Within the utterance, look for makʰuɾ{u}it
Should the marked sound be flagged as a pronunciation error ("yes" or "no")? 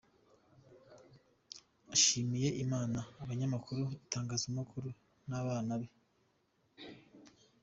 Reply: no